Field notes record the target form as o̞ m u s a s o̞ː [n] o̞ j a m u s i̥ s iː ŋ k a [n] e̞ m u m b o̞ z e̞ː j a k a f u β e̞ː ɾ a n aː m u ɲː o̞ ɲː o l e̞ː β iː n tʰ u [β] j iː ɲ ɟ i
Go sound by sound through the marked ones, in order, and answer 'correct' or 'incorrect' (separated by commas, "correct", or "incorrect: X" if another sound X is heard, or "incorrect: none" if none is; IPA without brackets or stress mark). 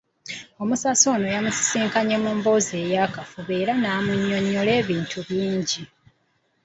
correct, incorrect: ɲ, correct